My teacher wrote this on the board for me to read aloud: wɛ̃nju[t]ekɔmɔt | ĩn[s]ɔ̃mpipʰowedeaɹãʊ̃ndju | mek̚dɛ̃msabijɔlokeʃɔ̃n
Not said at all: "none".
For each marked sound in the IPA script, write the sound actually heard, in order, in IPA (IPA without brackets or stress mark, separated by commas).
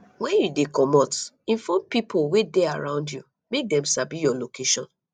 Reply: d, f